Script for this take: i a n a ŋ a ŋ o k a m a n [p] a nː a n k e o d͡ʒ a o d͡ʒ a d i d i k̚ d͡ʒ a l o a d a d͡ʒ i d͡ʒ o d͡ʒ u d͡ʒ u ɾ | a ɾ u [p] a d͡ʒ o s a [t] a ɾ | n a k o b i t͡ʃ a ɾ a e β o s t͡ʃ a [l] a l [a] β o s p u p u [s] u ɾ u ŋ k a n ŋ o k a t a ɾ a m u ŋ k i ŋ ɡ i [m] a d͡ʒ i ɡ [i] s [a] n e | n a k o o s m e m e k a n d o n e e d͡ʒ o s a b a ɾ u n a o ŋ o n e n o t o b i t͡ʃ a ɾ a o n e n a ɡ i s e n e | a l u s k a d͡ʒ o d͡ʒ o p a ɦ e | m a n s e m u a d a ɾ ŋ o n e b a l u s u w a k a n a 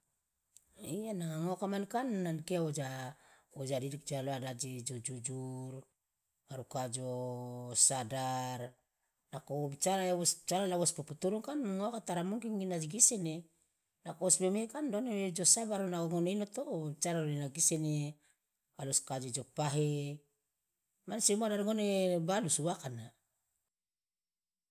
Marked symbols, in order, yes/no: no, no, no, no, yes, no, no, yes, no

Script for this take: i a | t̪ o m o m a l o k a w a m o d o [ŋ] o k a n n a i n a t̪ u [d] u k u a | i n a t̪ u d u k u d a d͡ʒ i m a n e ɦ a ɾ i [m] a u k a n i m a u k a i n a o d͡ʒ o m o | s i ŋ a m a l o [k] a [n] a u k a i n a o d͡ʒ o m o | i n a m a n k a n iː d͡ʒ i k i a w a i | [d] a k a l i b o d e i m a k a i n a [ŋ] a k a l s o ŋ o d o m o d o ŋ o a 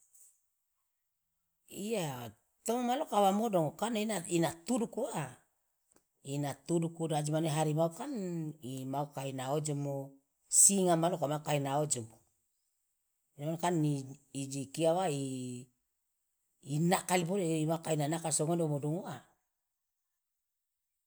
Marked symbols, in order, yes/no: yes, yes, yes, yes, no, no, no

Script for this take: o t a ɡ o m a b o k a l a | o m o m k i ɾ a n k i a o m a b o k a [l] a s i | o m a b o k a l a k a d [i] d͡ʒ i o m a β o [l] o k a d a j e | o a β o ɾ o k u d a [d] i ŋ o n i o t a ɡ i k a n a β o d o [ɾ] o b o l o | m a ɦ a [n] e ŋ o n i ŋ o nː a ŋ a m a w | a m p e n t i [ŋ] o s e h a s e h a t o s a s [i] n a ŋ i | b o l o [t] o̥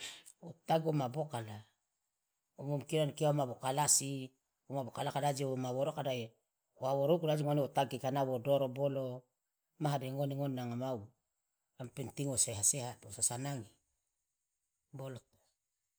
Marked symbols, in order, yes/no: yes, no, no, no, yes, no, yes, no, yes

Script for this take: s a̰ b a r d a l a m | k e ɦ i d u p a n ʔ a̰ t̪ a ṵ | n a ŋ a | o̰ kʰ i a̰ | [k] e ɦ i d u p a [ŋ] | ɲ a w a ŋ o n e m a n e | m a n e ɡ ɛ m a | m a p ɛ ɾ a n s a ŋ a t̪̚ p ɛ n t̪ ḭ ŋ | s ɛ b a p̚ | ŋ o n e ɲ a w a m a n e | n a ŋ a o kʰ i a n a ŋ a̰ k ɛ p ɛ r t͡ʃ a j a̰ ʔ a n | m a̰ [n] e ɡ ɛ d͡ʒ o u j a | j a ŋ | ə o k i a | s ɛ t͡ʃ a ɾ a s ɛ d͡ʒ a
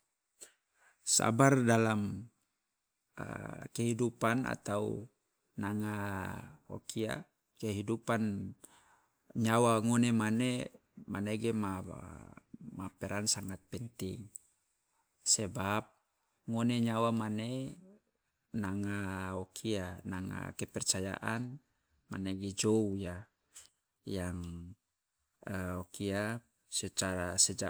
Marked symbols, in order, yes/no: yes, no, yes

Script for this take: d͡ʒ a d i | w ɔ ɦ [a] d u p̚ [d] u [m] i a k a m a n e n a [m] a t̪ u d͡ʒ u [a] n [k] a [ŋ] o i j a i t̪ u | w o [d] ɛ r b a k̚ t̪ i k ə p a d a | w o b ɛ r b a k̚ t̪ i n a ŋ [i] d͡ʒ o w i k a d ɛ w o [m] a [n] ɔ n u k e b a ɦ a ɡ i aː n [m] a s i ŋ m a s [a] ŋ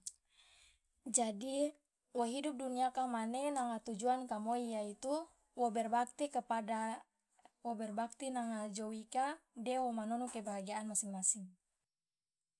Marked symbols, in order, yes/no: no, yes, no, no, yes, yes, no, no, no, yes, yes, yes, no

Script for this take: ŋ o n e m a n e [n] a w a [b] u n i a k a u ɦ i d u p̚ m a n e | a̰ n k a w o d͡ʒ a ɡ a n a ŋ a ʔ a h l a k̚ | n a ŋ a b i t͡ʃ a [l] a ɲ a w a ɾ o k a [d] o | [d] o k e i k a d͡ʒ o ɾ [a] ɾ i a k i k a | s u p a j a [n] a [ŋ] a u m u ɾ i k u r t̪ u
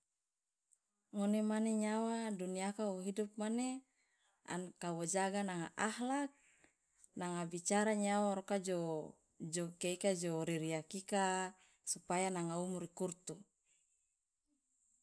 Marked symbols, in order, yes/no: no, no, no, no, no, no, yes, yes

